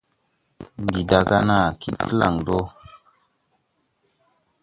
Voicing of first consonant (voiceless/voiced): voiced